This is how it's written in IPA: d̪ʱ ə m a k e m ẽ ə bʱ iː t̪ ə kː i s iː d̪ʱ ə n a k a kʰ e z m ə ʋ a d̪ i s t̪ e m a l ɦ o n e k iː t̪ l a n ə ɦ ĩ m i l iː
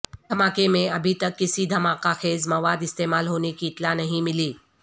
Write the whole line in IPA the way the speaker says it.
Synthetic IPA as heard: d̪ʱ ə m a k e m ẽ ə bʱ i t̪ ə kː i s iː d̪ʱ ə m a k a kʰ e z m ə ʋ a d̪ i s t̪ e m a l ɦ o n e k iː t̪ l a n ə ɦ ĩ m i l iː

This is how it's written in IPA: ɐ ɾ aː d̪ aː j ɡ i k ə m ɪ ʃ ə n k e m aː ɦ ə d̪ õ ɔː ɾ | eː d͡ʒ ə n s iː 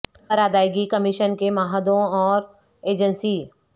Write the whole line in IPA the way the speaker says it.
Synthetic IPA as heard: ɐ ɾ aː d̪ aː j ɡ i k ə m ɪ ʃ ə n k e m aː ɦ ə d̪ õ ɔː ɾ | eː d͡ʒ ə n s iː

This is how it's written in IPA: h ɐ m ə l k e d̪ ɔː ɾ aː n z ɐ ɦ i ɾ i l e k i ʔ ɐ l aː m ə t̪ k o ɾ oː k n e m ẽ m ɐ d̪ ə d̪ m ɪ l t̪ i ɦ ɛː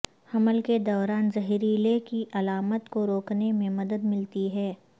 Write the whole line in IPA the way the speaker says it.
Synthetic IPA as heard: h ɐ m ə l k e d̪ ɔː ɾ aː n z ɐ ɦ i ɾ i l e k i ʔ ɐ l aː m ə t̪ k o ɾ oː k n e m ẽ m ɐ d̪ ə d̪ m ɪ l t̪ i ɦ ɛː

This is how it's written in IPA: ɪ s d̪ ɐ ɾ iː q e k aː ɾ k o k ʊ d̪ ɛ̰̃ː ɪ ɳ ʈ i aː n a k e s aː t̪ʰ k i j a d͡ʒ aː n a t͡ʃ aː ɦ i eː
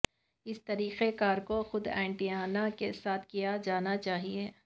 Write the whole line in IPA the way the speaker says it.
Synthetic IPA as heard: ɪ s t̪ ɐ ɾ iː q e k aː ɾ k o x ʊ d̪ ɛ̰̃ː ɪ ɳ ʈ i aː n a k e s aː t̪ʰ k i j a d͡ʒ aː n a t͡ʃ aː ɦ i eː

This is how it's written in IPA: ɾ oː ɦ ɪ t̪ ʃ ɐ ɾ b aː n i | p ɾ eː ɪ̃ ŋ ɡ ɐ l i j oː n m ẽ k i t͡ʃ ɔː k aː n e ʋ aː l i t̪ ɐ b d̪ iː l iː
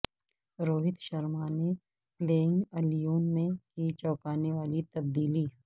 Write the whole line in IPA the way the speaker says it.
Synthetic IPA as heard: ɾ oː ɦ ɪ t̪ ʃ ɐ ɾ m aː n e | p l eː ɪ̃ ŋ ɡ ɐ l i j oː n m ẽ k i t͡ʃ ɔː k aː n e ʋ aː l i t̪ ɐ b d̪ iː l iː

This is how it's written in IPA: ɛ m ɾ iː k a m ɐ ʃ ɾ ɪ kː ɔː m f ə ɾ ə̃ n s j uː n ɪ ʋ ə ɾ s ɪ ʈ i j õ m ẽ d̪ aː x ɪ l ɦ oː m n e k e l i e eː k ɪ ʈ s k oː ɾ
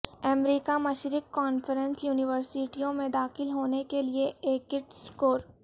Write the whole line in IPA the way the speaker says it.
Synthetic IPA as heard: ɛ m ɾ iː k a m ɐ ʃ ɾ ɪ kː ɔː n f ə ɾ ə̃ n s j uː n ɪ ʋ ə ɾ s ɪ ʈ i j õ m ẽ d̪ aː x ɪ l ɦ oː n e k e l i e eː k ɪ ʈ s k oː ɾ

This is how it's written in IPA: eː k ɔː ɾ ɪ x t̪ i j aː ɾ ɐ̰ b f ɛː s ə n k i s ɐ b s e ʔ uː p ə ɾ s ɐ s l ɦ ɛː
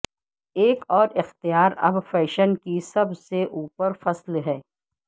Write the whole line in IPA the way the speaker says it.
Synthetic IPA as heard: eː k ɔː ɾ ɪ x t̪ i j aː ɾ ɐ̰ b f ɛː ʃ ə n k i s ɐ b s e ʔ uː p ə ɾ f ɐ s l ɦ ɛː

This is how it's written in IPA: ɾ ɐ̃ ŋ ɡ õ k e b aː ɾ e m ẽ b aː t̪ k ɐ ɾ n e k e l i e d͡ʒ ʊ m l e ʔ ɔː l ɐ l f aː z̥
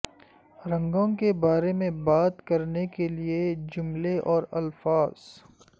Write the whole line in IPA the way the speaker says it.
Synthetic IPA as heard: ɾ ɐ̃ ŋ ɡ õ k e b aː ɾ e m ẽ b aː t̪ k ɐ ɾ n e k e l i e d͡ʒ ʊ m l e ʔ ɔː ɾ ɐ l f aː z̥

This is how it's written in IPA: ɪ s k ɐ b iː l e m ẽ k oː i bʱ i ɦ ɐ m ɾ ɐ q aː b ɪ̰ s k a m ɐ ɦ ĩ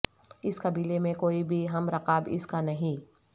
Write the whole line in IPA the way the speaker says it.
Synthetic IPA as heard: ɪ s k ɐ b iː l e m ẽ k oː i bʱ i ɦ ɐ m ɾ ɐ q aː b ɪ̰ s k a n ɐ ɦ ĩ

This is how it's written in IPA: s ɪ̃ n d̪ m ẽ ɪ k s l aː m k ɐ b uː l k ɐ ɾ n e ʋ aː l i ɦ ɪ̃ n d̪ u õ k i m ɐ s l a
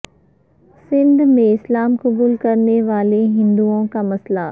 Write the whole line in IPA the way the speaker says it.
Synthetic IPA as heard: s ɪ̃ n d̪ m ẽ ɪ s l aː m k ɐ b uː l k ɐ ɾ n e ʋ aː l e ɦ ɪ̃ n d̪ u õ k a m ɐ s l a

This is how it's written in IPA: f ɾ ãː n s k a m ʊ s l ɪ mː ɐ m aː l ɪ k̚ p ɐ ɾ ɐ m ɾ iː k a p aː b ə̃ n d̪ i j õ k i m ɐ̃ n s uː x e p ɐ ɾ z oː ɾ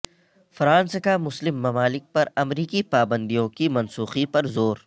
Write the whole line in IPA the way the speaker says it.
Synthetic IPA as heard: f ɾ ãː n s k a m ʊ s l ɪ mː ɐ m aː l ɪ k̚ p ɐ ɾ ɐ m ɾ iː k i p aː b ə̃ n d̪ i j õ k i m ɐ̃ n s uː x i p ɐ ɾ z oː ɾ

